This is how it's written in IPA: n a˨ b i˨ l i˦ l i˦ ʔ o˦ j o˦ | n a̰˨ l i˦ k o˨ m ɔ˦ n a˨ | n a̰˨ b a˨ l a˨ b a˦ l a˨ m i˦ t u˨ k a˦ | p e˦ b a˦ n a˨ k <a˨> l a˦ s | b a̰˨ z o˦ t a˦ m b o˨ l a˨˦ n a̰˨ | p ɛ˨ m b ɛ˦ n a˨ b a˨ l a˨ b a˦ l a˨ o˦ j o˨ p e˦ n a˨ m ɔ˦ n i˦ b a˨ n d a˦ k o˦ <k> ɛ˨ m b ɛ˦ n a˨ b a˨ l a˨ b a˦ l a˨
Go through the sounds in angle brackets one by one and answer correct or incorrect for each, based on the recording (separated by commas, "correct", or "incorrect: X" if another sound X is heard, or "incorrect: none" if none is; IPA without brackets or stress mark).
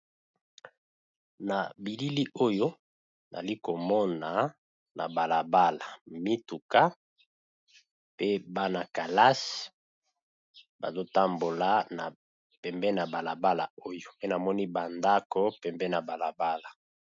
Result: correct, incorrect: p